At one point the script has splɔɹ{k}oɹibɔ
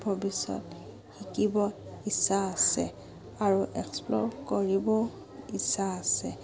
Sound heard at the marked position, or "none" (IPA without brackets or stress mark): k